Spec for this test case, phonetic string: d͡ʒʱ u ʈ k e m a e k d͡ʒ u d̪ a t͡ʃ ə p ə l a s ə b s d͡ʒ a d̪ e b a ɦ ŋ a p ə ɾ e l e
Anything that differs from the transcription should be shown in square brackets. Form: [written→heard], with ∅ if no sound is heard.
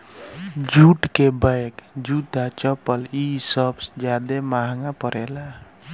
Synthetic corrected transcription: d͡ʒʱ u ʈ k e [m→b] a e k d͡ʒ u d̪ a t͡ʃ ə p ə l [a→i] s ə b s d͡ʒ a d̪ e [b→m] a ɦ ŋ a p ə ɾ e l [e→a]